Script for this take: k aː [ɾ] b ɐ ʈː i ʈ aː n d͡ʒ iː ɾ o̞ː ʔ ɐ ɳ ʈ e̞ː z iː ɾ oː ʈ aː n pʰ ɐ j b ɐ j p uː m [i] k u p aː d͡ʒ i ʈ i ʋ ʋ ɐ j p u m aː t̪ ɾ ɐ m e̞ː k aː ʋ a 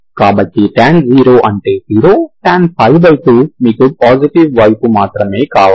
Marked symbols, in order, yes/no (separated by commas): no, no